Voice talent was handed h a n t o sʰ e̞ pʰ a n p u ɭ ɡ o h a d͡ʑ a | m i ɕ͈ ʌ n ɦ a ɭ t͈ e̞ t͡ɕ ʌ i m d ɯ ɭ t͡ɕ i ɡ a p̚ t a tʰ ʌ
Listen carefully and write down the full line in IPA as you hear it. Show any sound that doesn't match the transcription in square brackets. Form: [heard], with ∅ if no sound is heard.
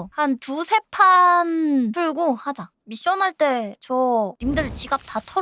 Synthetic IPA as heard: h a n t [u] sʰ e̞ pʰ a n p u ɭ ɡ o h a d͡ʑ a | m i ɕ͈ ʌ n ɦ a ɭ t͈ e̞ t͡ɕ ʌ i m d ɯ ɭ t͡ɕ i ɡ a p̚ t a tʰ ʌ

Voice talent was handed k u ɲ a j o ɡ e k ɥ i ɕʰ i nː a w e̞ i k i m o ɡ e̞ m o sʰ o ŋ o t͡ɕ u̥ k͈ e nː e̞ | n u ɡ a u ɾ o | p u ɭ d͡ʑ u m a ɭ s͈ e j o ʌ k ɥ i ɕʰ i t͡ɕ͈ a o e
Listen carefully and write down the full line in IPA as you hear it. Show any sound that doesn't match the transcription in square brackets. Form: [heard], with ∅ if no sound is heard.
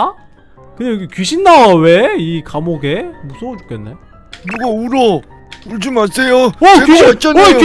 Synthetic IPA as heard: k [ɯ] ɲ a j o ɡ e k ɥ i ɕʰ i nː a w e̞ i k [a] m o ɡ e̞ m [u] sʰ o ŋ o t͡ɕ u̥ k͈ e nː e̞ | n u ɡ a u ɾ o | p u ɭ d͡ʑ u m a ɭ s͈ e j o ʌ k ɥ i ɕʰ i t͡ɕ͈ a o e

